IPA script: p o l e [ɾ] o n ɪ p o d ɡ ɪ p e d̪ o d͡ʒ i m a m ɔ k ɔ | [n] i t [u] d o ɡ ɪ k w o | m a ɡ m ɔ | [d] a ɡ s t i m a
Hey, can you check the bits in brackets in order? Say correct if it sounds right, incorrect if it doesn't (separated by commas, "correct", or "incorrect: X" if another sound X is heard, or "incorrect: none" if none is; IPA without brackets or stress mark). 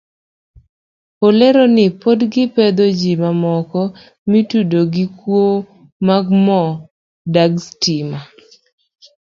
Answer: correct, incorrect: m, correct, correct